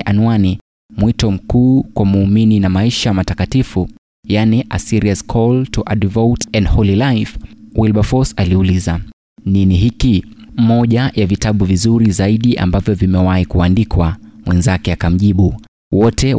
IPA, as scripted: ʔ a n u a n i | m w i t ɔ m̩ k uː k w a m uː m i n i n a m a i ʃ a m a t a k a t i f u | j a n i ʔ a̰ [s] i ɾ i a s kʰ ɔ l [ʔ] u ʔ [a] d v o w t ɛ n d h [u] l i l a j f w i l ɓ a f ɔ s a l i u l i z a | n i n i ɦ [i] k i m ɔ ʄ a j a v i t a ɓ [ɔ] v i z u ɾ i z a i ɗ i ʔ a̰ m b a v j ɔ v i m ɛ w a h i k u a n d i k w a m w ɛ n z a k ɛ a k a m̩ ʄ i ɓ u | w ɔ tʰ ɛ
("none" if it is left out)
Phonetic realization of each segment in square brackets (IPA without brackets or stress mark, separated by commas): s, t, a, ɔ, i, u